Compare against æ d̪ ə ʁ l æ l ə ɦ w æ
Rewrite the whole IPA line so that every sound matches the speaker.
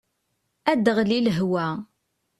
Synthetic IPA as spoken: æ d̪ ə ʁ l i l ə ɦ w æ